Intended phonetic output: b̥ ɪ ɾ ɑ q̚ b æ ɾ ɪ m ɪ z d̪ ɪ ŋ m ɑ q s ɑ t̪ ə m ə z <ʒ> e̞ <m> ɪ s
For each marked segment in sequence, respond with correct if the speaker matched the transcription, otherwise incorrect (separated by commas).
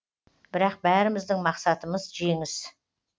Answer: correct, incorrect